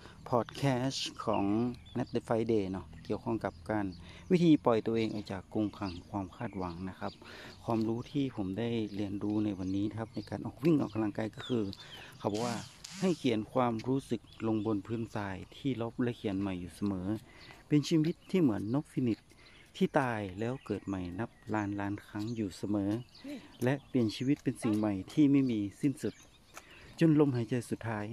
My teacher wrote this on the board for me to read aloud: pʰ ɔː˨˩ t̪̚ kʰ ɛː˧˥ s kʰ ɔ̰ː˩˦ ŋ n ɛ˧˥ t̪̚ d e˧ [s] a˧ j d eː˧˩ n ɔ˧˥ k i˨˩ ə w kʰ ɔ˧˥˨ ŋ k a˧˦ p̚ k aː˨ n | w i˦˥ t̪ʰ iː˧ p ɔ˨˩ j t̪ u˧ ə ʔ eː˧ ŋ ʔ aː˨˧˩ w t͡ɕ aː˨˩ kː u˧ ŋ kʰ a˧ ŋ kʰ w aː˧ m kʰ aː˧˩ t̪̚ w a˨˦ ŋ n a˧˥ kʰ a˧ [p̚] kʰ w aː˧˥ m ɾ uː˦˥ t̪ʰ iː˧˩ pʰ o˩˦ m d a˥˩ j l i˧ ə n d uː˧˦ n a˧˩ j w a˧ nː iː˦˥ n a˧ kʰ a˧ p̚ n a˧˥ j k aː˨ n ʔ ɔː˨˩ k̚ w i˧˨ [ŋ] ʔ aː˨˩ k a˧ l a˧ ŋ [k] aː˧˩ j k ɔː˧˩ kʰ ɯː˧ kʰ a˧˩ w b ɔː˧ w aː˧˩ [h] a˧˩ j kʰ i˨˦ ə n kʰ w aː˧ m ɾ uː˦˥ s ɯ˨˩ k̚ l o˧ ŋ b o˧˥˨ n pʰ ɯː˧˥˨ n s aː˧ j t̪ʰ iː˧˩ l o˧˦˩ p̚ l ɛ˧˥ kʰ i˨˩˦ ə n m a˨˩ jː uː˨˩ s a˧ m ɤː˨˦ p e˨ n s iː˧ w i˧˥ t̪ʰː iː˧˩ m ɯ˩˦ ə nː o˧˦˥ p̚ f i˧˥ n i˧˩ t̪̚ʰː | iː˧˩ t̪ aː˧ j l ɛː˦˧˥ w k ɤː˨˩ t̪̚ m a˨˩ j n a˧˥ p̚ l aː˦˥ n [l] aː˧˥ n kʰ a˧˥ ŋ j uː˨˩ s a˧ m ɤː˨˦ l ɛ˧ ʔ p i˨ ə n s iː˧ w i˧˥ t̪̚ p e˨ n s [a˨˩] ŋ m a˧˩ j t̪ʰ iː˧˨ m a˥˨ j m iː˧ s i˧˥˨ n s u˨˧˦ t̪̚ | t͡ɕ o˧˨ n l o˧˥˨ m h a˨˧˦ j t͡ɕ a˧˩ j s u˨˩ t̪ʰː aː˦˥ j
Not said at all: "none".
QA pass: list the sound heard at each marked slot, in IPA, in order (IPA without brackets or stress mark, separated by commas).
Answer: f, p̚, ŋ, k, h, l, i˨˩